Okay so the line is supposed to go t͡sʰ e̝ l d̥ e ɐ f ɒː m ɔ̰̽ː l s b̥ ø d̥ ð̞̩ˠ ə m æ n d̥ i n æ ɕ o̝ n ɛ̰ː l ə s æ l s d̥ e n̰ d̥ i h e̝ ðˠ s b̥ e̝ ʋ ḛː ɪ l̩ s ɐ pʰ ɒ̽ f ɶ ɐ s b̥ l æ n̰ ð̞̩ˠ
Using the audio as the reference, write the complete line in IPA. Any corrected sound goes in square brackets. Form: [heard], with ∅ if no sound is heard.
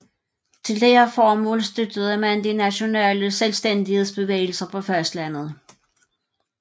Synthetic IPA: t͡sʰ e̝ l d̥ e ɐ f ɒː m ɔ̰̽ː l s [d̥] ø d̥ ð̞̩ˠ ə m æ n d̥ i n æ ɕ o̝ n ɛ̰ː l ə s [e] l s d̥ e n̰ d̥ i h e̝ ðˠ s b̥ e̝ ʋ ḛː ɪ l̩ s ɐ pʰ ɒ̽ f ɶ ɐ s [d̥] l æ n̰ ð̞̩ˠ